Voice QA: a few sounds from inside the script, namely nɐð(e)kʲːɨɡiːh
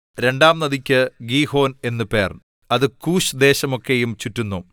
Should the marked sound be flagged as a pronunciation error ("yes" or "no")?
yes